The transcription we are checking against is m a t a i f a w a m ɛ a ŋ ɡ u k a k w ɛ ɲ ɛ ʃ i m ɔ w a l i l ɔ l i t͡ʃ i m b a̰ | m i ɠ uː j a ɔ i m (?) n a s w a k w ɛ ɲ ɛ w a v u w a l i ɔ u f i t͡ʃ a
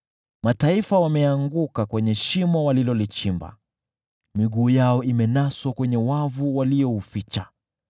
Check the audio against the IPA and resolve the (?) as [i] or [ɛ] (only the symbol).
ɛ